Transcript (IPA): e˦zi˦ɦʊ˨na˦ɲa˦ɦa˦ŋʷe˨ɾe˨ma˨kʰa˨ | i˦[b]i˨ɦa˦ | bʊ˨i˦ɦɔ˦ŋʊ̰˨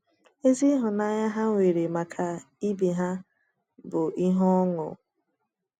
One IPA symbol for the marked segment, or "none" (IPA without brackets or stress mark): b